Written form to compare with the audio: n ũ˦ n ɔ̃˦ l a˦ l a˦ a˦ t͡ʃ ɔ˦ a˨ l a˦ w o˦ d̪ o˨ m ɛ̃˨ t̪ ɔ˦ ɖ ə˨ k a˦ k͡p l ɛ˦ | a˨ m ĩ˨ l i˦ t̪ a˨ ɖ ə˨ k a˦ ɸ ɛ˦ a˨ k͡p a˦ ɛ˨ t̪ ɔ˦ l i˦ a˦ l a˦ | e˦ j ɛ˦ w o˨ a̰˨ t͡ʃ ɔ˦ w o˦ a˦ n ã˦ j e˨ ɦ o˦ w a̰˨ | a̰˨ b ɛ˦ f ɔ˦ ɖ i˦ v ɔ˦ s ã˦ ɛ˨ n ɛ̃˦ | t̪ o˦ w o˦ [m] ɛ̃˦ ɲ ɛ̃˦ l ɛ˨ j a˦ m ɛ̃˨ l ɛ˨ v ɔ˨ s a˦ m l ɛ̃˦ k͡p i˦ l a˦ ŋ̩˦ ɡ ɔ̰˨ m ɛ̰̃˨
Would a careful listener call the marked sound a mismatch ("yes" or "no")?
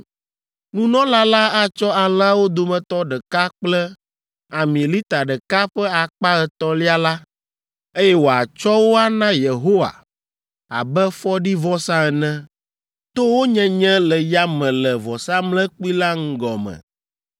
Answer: yes